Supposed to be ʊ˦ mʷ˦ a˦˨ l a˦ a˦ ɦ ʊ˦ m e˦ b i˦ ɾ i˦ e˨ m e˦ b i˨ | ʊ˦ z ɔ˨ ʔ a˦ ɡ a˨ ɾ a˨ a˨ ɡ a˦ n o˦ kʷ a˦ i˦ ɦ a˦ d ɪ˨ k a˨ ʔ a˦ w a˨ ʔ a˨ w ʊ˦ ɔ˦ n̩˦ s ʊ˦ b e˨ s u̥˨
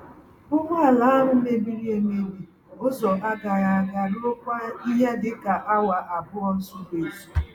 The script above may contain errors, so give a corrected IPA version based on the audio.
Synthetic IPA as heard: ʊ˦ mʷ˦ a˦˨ l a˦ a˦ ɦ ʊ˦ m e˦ b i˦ ɾ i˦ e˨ m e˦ b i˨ | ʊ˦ z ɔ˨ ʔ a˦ ɡ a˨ ɾ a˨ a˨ ɡ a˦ n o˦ kʷ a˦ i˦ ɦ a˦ d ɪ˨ k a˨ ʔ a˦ w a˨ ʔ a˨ b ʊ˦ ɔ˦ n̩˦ s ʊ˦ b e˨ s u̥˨